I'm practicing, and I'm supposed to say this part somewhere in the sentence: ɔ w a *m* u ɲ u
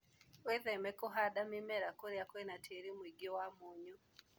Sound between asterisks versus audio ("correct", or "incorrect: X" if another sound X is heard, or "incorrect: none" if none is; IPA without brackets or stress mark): correct